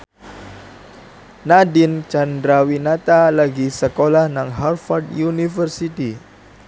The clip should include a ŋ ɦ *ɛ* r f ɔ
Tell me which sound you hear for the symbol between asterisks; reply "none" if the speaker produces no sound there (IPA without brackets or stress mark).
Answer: a